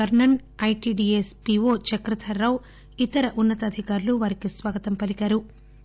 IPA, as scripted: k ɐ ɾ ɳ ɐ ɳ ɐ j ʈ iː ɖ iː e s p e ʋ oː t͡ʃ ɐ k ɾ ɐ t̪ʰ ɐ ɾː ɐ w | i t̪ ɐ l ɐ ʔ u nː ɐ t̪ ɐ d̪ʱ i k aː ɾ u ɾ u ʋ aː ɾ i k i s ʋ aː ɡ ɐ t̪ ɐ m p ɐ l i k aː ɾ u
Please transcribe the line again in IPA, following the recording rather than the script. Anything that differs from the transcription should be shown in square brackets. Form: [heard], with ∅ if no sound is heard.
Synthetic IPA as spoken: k ɐ ɾ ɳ ɐ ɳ ɐ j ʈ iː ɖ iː e s p [i] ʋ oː t͡ʃ ɐ k ɾ ɐ t̪ʰ ɐ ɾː ɐ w | i t̪ ɐ [ɾ] ɐ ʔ u nː ɐ t̪ ɐ d̪ʱ i k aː ɾ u [l] u ʋ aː ɾ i k i s ʋ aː ɡ ɐ t̪ ɐ m p ɐ l i k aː ɾ u